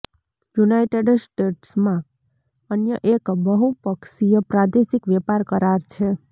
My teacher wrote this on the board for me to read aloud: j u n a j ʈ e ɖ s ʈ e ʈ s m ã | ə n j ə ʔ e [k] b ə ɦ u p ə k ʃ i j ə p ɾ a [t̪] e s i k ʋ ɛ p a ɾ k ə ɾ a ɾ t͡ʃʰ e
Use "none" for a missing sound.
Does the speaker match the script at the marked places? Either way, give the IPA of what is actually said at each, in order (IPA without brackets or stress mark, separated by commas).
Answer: k, d̪